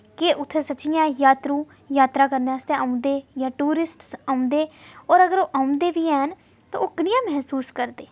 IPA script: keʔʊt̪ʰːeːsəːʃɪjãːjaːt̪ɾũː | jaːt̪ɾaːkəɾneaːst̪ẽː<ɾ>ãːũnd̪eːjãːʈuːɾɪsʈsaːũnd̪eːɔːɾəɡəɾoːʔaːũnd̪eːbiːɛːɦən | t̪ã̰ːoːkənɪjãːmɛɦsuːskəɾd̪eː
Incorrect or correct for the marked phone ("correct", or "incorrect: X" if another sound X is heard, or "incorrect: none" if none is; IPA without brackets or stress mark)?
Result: incorrect: none